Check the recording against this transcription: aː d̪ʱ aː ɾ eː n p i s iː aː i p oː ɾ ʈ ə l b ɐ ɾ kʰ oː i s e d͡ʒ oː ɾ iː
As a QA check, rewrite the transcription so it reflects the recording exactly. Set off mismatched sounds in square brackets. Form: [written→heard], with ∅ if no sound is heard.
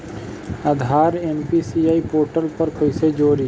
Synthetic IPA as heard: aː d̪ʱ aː ɾ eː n p i s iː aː i p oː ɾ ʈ ə l [b→p] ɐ ɾ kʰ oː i s e d͡ʒ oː ɾ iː